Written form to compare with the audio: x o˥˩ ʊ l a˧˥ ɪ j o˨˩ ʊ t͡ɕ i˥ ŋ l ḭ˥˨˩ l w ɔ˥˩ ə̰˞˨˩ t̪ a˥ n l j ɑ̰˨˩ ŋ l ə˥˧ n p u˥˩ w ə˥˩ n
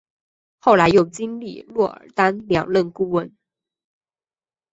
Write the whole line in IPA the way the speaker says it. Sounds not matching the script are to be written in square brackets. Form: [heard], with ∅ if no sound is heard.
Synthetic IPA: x o˥˩ ʊ l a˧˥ ɪ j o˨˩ ʊ t͡ɕ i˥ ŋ l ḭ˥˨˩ l w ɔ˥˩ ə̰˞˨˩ t̪ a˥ n l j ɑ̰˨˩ ŋ l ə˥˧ n [k] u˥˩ w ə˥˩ n